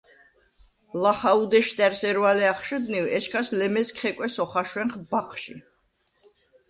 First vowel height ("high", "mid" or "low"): low